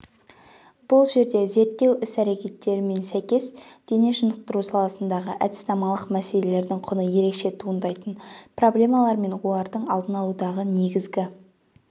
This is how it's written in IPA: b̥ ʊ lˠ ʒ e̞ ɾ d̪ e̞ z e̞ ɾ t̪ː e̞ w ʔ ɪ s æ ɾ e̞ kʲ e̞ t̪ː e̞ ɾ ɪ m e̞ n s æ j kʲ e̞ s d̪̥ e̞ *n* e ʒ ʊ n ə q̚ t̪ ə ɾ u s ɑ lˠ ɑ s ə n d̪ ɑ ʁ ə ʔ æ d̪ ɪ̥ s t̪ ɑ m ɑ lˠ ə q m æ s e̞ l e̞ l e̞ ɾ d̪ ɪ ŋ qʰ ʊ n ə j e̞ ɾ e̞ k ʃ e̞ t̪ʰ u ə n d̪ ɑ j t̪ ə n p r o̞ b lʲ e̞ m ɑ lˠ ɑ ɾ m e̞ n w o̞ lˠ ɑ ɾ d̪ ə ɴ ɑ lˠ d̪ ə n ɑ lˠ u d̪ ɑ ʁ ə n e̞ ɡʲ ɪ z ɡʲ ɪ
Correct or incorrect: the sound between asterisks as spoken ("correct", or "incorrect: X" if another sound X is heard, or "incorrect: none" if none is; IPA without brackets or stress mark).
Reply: correct